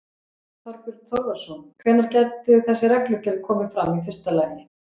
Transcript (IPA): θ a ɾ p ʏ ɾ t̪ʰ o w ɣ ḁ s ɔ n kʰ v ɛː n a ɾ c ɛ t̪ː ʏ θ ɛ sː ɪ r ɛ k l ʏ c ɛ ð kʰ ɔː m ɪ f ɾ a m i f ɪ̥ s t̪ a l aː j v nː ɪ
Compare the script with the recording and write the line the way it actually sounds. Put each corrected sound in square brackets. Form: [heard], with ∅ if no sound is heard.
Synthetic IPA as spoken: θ a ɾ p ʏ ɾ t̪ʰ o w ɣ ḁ s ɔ n kʰ v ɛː n a ɾ c ɛ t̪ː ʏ θ ɛ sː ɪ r ɛ k l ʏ c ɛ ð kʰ ɔː m ɪ f ɾ a m i f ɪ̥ s t̪ a l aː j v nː ɪ